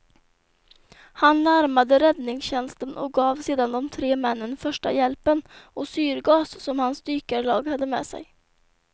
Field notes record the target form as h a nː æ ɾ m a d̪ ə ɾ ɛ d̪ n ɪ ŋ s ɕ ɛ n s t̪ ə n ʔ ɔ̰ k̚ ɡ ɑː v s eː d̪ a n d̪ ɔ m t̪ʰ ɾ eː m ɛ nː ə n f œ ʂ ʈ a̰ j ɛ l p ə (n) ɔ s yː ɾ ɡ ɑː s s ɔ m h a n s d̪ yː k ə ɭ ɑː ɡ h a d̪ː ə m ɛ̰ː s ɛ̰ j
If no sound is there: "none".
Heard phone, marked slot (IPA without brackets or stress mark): n